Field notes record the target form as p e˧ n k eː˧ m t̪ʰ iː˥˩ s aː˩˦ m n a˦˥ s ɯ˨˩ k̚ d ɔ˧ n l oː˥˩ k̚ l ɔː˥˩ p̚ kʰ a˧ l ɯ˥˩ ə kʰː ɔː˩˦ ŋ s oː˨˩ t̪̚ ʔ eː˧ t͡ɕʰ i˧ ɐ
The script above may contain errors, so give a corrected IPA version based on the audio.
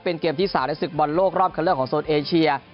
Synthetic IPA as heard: p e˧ n k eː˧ m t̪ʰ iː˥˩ s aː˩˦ m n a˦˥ s ɯ˨˩ k̚ b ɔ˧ n l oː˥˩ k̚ ɾ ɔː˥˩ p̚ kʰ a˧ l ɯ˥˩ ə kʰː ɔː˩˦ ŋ s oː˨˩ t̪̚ ʔ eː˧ t͡ɕʰ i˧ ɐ